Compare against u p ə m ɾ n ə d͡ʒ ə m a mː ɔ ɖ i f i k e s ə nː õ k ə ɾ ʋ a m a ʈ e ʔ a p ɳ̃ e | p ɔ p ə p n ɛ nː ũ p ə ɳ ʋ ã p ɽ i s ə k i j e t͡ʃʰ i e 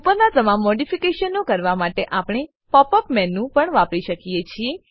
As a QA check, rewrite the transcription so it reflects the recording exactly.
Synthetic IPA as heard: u p ə ɾ n a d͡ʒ ə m a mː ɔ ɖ i f i k e ʃ ə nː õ k ə ɾ ʋ a m a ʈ e ʔ a p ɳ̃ e | p ɔ p ə p m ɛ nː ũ p ə ɳ ʋ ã p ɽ i ʃ ə k i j e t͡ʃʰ i e